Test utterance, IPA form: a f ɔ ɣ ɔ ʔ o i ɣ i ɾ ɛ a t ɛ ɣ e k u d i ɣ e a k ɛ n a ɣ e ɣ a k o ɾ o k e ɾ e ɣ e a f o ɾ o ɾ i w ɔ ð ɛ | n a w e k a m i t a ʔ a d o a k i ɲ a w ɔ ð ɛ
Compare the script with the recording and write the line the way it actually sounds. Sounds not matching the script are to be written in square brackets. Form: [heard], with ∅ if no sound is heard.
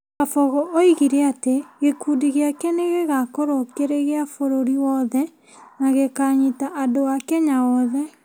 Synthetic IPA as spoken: a f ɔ ɣ ɔ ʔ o i ɣ i ɾ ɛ a t [e] ɣ e k u d i ɣ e a k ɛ n [e] ɣ e ɣ a k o ɾ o k e ɾ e ɣ e a f o ɾ o ɾ i w ɔ ð ɛ | n a [ɣ] e k a [ɲ] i t a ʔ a d o a k [ɛ] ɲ a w ɔ ð ɛ